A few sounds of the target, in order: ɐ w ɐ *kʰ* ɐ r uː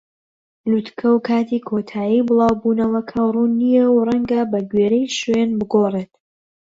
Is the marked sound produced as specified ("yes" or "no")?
yes